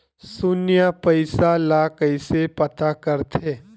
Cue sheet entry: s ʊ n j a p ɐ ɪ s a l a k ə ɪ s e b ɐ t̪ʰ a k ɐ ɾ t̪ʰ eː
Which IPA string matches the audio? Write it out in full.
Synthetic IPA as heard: s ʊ n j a p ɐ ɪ s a l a k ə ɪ s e p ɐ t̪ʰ a k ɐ ɾ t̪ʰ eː